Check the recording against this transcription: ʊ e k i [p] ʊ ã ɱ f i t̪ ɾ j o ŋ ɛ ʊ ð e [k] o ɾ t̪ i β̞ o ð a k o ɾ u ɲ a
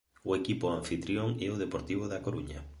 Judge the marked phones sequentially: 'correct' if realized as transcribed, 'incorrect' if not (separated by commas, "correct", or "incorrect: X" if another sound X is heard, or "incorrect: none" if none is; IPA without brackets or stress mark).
correct, incorrect: p